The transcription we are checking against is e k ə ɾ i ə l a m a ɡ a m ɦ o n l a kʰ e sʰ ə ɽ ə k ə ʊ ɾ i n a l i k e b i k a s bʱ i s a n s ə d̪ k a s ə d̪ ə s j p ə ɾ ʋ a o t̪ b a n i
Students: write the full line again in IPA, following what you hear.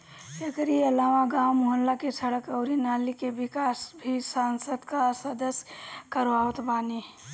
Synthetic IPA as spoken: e k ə ɾ i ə l a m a ɡ a m ɦ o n l a k e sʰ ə ɽ ə k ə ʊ ɾ i n a l i k e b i k a s bʱ i s a n s ə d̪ k a s ə d̪ ə s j k ə ɾ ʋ a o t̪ b a n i